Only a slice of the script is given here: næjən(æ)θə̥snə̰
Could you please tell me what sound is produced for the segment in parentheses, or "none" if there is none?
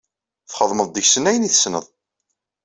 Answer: i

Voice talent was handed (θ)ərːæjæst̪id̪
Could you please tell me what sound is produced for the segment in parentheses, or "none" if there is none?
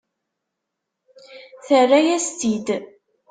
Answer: θ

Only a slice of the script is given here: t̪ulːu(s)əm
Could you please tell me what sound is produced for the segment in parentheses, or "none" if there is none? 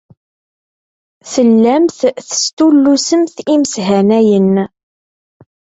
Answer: s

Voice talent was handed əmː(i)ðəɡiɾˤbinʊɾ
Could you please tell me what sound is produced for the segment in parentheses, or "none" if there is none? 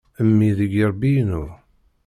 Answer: i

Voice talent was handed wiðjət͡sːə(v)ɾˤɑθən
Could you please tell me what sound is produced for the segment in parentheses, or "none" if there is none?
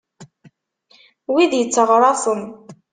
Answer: ʁ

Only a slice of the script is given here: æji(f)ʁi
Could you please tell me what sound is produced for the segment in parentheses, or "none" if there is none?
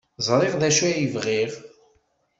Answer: v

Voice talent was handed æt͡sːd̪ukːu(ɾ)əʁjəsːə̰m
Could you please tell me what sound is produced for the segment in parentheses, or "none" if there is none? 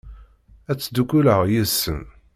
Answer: l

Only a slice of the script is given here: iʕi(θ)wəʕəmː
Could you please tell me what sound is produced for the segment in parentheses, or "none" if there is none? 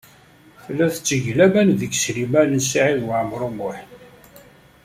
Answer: ð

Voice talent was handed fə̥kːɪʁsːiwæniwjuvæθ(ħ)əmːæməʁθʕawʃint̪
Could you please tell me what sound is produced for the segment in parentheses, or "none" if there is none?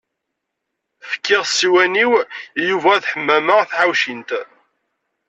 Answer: ħ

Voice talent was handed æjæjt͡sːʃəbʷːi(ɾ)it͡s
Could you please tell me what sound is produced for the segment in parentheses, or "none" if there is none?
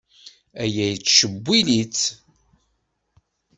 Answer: l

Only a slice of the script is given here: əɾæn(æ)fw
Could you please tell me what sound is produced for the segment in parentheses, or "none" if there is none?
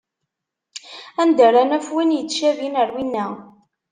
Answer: æ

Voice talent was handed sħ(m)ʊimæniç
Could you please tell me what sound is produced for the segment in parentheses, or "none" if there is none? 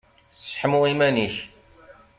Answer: m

